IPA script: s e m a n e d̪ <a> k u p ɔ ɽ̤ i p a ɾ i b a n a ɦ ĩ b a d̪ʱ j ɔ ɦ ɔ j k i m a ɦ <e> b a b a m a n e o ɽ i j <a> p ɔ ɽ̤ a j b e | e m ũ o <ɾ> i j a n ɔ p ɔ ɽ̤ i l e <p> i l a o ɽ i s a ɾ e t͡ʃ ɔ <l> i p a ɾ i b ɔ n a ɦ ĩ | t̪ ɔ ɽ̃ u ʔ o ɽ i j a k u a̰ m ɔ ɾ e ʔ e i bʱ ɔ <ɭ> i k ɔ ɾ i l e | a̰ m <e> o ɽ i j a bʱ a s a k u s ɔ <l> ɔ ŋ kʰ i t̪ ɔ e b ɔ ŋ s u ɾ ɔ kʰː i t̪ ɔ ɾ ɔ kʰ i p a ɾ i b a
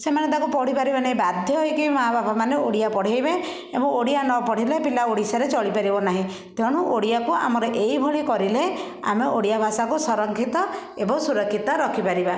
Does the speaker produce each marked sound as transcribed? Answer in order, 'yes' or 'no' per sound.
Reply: yes, no, yes, no, yes, no, yes, yes, no

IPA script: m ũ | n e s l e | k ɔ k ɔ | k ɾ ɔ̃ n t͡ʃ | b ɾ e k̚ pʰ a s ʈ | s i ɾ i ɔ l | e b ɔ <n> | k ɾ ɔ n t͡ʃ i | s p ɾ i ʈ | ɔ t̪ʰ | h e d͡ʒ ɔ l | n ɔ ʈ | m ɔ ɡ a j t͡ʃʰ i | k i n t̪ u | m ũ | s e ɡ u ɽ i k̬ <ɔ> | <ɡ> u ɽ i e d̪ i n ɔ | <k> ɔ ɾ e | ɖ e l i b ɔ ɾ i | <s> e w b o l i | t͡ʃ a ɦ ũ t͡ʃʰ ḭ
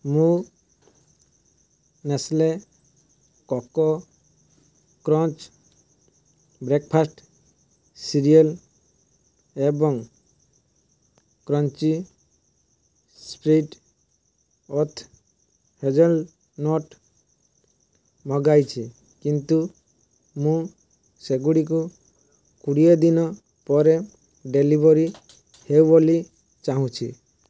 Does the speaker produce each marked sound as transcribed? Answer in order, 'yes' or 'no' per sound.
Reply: no, no, no, no, no

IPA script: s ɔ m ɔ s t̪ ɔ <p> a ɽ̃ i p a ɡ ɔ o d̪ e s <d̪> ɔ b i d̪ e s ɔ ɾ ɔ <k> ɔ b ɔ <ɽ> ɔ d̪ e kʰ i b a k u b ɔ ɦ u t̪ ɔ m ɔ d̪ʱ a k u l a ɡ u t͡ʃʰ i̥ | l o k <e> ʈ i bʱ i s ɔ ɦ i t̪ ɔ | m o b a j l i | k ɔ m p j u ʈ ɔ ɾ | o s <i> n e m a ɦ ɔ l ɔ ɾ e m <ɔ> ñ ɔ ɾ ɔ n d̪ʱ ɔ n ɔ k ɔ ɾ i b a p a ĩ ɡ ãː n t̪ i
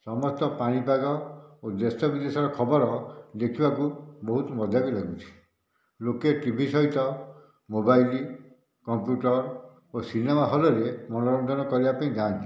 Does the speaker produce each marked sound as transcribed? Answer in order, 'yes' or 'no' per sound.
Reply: yes, no, no, no, yes, yes, yes

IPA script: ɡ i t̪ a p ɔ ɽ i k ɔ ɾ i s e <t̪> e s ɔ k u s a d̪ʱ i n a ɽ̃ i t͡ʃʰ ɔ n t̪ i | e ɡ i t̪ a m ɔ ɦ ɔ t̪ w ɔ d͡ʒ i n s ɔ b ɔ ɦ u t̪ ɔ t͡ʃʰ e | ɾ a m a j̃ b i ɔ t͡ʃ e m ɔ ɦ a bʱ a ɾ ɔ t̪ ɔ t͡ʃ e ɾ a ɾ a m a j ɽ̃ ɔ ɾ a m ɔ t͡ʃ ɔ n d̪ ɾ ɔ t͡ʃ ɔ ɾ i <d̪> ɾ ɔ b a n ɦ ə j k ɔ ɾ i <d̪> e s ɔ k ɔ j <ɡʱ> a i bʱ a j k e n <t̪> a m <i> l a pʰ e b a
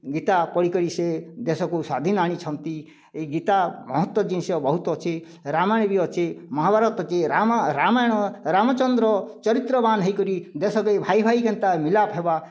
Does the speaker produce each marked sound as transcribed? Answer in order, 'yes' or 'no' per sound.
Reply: no, no, yes, no, yes, yes

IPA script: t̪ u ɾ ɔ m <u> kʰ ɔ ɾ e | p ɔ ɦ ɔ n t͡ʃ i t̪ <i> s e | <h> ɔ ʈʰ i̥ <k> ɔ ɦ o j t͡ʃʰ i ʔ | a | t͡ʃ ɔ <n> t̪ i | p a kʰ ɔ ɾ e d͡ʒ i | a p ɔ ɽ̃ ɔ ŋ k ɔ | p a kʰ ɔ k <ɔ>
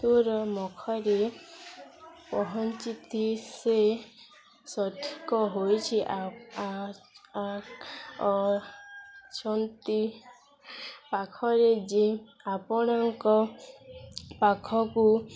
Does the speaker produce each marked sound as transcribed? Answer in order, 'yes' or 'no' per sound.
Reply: no, yes, no, yes, yes, no

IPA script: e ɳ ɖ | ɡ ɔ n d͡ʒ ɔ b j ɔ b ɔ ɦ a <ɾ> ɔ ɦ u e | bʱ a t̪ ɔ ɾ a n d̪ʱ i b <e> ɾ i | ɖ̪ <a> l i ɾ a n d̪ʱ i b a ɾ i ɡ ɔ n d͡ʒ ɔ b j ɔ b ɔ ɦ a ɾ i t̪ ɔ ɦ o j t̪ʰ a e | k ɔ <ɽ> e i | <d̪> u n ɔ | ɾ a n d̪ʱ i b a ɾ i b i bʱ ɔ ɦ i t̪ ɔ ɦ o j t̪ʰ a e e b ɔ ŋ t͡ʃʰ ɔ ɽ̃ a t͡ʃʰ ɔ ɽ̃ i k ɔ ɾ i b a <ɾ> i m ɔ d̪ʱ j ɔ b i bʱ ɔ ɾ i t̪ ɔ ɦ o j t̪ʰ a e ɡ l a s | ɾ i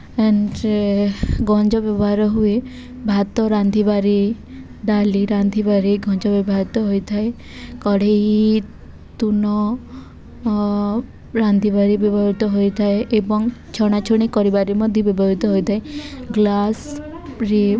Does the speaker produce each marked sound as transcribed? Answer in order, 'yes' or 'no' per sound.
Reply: yes, no, yes, yes, no, yes

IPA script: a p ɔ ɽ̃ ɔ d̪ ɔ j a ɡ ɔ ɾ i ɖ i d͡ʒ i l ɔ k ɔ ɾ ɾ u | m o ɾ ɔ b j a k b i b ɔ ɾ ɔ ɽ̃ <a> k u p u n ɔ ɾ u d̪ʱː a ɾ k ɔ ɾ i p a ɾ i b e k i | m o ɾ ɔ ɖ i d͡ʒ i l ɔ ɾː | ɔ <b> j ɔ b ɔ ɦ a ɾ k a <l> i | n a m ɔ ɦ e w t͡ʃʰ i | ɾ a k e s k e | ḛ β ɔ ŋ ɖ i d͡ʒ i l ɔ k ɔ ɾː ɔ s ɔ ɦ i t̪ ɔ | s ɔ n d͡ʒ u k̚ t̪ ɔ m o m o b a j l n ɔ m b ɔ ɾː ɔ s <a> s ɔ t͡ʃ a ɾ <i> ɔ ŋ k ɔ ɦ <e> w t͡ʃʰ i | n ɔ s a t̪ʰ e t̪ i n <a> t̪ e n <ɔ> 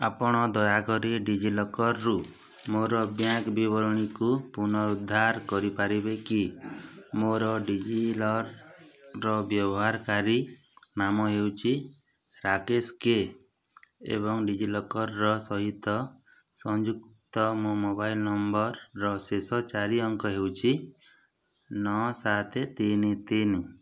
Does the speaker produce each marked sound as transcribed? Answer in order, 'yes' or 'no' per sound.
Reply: no, yes, no, no, yes, yes, no, no

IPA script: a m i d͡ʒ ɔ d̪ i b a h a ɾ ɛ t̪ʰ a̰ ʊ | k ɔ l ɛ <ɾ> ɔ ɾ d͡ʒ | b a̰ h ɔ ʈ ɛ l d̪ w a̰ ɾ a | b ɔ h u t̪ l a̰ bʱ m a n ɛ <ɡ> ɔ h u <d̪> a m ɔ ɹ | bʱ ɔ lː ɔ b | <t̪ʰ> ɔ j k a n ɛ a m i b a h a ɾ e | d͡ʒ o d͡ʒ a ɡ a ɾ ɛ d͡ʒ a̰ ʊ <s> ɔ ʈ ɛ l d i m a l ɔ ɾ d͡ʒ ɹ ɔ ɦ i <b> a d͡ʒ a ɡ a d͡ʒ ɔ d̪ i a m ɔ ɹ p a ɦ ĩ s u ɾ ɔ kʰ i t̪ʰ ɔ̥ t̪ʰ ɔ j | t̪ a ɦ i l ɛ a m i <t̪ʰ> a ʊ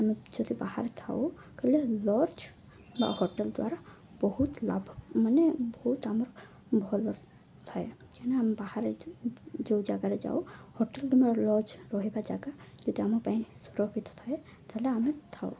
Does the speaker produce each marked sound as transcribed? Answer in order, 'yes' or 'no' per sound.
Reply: no, no, no, yes, no, yes, yes

